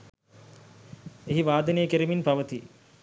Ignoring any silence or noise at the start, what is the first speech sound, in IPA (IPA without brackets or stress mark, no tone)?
e